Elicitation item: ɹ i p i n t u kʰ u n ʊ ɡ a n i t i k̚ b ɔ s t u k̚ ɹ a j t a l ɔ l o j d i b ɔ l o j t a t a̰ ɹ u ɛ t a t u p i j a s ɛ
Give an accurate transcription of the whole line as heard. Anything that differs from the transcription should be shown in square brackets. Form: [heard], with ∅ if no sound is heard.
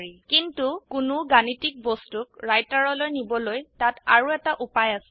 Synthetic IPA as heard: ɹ i [k] i n t u [k] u n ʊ ɡ a n i t i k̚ b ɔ s t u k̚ ɹ a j t a [ɹ] ɔ l o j [n] i b ɔ l o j t a t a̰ ɹ u ɛ t a [ʔ] u p [a] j a s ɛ